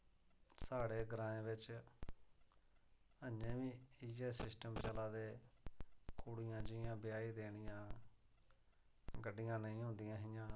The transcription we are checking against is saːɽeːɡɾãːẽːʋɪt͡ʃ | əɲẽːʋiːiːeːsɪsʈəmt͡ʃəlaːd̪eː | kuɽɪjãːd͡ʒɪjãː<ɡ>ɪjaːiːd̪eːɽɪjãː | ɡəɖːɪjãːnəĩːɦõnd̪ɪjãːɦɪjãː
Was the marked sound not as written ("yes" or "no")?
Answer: yes